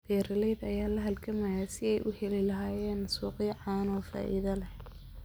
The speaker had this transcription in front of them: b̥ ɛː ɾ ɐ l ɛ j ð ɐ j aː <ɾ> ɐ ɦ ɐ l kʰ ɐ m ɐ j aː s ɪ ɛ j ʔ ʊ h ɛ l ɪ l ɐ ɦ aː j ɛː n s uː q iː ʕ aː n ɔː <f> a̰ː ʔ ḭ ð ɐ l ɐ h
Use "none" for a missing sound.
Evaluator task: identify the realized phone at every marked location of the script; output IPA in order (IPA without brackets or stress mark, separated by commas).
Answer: l, f